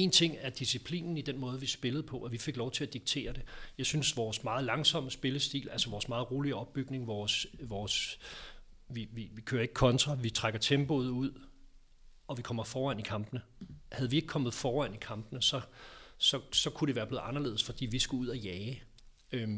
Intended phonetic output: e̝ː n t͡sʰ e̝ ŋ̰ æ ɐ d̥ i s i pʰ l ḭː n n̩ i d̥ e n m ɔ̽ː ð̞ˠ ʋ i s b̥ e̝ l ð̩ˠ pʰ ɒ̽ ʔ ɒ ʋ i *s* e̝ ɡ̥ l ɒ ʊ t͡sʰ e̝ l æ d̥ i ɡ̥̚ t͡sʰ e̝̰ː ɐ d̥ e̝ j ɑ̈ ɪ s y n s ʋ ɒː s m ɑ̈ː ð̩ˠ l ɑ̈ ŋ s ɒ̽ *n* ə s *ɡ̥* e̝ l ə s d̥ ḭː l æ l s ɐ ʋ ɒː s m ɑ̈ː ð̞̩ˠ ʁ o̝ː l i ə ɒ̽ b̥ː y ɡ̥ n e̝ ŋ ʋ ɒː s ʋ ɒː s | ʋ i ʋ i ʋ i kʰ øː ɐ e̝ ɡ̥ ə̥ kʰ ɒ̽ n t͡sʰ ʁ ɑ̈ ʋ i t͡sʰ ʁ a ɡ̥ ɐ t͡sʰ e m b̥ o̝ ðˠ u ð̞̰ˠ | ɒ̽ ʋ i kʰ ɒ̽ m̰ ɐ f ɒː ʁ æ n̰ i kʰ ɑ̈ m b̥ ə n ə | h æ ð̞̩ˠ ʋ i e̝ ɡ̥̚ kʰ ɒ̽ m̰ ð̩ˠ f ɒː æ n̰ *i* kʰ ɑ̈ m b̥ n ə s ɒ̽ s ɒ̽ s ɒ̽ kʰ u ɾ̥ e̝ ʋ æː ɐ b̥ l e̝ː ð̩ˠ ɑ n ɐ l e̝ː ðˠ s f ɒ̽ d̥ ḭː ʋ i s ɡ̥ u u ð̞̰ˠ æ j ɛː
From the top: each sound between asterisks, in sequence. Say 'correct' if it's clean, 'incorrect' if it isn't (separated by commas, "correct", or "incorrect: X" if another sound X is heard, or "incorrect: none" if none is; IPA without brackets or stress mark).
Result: incorrect: f, incorrect: m, incorrect: b̥, correct